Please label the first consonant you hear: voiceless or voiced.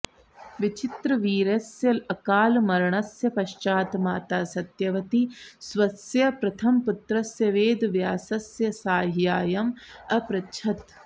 voiced